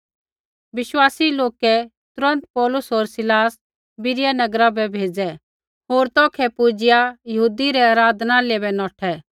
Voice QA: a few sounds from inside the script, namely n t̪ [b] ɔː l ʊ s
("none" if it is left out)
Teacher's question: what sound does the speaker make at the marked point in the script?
p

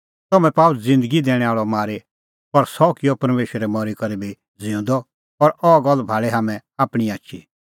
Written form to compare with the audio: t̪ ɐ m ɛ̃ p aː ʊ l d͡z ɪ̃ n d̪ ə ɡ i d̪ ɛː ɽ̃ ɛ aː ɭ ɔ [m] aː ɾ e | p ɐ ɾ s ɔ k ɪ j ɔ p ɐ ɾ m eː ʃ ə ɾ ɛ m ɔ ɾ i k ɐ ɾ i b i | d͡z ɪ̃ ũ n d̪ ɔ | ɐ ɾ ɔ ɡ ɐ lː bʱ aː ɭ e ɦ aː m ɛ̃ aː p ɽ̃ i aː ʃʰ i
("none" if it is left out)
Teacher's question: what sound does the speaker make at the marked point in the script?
m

